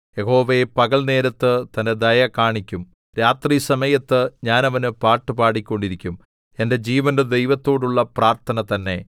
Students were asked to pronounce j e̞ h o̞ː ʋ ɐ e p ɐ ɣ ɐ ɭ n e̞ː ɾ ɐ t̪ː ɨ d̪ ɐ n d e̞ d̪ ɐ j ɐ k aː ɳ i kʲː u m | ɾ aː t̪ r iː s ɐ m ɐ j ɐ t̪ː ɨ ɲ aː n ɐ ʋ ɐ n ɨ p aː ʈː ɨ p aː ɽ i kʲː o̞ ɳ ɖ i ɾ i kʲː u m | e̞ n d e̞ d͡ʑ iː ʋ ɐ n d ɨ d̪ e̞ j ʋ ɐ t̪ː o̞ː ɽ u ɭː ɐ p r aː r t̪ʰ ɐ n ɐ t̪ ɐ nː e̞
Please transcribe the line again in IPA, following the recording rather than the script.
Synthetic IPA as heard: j e̞ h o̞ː ʋ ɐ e p ɐ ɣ ɐ ɭ n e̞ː ɾ ɐ t̪ː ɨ t̪ ɐ n d e̞ d̪ ɐ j ɐ k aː ɳ i kʲː u m | ɾ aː t̪ r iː s ɐ m ɐ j ɐ t̪ː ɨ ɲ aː n ɐ ʋ ɐ n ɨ p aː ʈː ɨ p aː ɽ i kʲː o̞ ɳ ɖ i ɾ i kʲː u m | e̞ n d e̞ d͡ʑ iː ʋ ɐ n d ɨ d̪ e̞ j ʋ ɐ t̪ː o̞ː ɽ u ɭː ɐ p r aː r t̪ʰ ɐ n ɐ t̪ ɐ nː e̞